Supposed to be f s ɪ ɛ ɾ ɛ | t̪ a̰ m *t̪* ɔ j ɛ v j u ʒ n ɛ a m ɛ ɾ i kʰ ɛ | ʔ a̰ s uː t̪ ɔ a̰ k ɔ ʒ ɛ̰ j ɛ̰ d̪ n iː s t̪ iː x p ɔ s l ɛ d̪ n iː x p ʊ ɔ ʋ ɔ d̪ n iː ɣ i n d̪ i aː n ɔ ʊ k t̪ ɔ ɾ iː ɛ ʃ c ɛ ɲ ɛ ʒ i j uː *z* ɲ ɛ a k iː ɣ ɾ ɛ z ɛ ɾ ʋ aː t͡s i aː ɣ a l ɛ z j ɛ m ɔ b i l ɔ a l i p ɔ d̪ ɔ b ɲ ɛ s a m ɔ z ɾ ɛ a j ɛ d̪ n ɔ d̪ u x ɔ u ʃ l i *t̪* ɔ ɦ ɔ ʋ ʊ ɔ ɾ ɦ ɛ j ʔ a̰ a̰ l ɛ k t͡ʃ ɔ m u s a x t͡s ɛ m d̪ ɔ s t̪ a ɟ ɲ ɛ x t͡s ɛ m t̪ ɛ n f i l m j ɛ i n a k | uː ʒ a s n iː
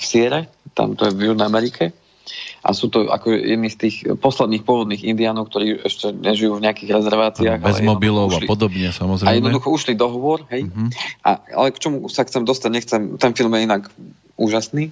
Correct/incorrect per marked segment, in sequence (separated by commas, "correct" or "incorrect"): correct, incorrect, incorrect